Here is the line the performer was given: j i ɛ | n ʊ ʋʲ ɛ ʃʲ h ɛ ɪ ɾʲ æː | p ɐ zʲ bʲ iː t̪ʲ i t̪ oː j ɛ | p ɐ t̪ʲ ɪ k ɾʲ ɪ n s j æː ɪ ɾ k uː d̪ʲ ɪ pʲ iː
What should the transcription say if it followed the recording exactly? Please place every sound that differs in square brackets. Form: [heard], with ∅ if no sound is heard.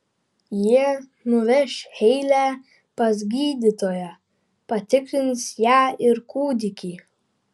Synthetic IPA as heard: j i ɛ | n ʊ ʋʲ ɛ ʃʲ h ɛ ɪ [lʲ] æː | p ɐ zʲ [ɡʲ] iː [d̪ʲ] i t̪ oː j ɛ | p ɐ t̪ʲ ɪ k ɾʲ ɪ n s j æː ɪ ɾ k uː d̪ʲ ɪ [kʲ] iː